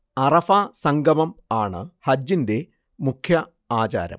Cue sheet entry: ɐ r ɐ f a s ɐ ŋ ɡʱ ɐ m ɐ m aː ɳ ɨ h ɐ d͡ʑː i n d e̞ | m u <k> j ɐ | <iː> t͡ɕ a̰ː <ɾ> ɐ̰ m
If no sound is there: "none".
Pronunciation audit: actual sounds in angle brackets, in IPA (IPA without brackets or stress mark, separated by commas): kʰ, aː, ɾ